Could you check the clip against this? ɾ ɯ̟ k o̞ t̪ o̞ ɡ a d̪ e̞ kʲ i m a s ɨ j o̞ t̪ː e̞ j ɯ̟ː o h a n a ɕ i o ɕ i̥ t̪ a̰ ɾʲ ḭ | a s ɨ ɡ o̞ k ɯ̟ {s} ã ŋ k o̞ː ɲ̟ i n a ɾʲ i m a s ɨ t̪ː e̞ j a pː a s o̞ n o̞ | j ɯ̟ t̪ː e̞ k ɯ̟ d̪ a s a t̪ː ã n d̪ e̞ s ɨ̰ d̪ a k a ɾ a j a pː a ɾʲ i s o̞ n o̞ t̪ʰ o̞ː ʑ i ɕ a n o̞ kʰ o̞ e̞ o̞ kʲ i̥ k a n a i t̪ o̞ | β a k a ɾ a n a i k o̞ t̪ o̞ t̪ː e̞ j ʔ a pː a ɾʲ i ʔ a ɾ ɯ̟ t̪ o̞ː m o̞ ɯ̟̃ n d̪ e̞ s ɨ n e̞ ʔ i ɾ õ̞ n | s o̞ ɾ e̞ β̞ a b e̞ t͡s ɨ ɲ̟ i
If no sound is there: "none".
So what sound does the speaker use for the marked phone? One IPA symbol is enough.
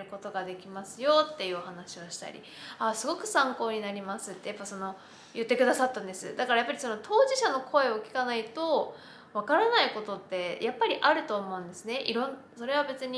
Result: s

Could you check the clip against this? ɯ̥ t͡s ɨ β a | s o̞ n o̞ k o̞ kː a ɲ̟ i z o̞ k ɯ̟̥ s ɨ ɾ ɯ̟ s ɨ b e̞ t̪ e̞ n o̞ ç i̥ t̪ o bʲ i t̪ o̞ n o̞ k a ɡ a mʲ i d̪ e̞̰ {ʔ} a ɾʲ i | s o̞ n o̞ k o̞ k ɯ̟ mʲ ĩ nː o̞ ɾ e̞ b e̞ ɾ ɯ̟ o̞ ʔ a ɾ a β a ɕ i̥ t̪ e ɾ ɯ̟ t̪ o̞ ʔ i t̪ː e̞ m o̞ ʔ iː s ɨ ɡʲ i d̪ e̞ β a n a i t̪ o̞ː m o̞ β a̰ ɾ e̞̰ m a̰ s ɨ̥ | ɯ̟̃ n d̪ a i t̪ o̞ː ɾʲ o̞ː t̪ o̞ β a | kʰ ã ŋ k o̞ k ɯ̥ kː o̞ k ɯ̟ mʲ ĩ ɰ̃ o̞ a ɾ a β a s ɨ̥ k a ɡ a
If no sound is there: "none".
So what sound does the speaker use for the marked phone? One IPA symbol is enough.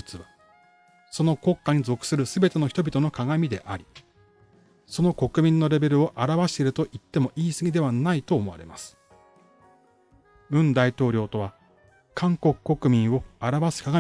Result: ʔ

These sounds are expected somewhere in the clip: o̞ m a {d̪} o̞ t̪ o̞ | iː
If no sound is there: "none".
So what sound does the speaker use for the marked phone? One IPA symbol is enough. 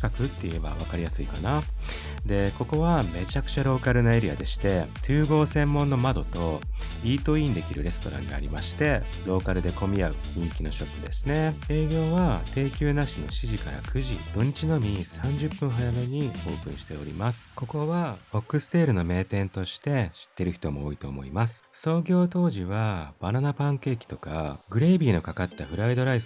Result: d̪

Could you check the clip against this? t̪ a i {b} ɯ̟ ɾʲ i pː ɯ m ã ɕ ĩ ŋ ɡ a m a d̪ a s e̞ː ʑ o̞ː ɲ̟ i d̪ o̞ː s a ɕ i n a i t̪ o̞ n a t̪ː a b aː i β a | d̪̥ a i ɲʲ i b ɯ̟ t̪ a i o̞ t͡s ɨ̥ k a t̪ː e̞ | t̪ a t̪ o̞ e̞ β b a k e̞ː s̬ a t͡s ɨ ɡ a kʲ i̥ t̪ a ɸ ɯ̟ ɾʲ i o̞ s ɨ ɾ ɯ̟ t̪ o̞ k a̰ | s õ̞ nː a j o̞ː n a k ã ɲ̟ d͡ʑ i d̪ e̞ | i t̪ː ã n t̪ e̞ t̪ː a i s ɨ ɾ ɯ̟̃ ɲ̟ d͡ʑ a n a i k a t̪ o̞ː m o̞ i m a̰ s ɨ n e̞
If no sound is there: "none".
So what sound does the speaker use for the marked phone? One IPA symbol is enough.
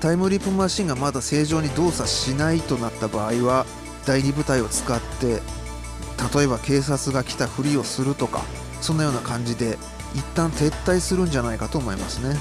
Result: m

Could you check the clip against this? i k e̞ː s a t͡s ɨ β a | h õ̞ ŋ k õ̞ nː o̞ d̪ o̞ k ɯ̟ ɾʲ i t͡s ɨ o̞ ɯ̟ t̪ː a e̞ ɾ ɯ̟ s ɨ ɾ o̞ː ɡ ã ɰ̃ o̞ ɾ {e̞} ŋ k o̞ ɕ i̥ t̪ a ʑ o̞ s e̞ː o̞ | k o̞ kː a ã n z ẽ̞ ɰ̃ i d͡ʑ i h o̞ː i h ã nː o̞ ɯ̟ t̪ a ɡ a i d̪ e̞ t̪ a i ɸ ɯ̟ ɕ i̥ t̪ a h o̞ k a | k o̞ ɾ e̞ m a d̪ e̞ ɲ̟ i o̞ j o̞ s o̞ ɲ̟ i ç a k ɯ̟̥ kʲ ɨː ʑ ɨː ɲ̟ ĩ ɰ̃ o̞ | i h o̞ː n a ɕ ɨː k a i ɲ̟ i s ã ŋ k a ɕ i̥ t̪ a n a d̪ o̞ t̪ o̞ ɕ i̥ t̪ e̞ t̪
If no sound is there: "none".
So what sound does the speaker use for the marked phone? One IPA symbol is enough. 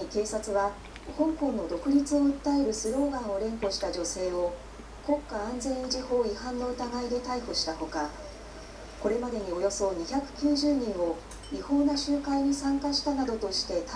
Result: ẽ̞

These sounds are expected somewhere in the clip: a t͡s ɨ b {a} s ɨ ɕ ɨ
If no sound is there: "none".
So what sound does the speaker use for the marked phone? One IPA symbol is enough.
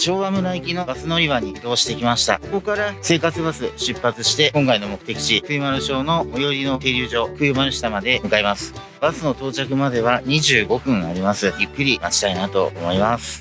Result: a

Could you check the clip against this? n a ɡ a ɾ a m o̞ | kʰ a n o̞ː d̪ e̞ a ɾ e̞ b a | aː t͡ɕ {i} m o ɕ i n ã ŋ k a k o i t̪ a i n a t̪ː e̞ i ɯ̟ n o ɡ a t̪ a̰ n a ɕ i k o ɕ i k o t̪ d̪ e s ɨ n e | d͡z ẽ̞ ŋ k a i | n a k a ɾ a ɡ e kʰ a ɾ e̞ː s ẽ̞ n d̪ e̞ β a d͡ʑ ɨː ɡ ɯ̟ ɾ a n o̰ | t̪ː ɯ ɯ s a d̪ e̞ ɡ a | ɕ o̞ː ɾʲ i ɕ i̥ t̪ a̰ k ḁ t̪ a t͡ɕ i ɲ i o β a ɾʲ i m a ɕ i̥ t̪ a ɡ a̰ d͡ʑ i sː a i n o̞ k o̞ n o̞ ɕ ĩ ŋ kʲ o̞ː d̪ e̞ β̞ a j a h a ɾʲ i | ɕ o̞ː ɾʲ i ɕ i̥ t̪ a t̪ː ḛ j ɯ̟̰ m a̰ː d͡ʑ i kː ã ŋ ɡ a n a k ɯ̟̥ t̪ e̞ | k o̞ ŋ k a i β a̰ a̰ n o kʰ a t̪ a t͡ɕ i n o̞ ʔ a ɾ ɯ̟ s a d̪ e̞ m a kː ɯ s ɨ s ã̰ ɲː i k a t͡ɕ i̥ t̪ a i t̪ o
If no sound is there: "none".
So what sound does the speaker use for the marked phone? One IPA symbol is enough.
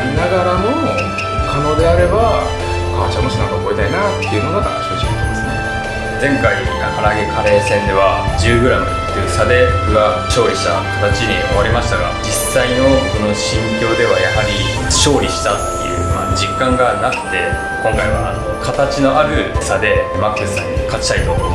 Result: a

